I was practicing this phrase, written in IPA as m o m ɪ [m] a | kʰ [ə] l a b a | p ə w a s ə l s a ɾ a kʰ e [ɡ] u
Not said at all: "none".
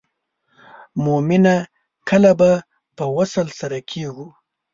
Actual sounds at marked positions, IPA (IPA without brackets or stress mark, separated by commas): n, ə, ɡ